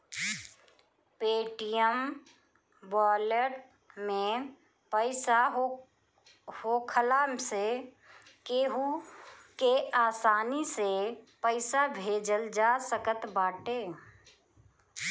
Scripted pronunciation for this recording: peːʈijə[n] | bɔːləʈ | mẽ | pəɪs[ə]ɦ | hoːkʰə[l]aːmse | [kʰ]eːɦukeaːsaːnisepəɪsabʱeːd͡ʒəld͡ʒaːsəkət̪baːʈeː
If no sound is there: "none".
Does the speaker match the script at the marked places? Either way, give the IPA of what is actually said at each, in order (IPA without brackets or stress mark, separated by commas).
m, a, l, k